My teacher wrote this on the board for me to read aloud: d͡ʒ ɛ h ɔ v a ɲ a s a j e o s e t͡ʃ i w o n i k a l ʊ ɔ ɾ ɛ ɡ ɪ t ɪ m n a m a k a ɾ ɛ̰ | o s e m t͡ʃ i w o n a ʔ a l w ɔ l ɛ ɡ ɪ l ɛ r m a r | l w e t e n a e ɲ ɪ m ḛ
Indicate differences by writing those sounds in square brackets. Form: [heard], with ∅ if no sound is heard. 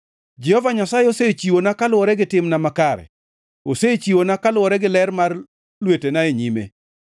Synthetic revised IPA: d͡ʒ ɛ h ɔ v a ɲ a s a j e o s e t͡ʃ i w o n [a] k a l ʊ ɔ ɾ ɛ ɡ ɪ t ɪ m n a m a k a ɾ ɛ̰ | o s e [∅] t͡ʃ i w o n a [k] a l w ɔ [ɾ] ɛ ɡ ɪ l ɛ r m a r | l w e t e n a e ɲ [i] m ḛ